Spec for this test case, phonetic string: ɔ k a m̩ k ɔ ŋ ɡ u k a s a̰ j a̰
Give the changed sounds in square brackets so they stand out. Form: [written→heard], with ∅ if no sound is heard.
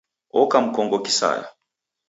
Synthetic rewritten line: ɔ k a m̩ k ɔ ŋ ɡ [u→ɔ] k [a→i] s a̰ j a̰